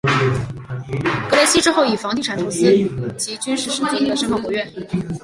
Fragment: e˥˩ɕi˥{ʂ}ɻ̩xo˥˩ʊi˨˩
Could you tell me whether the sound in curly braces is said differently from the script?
yes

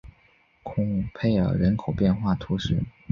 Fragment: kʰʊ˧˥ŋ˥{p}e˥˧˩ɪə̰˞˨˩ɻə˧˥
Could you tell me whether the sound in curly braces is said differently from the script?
yes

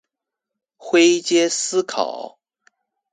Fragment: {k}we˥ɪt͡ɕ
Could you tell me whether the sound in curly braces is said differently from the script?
yes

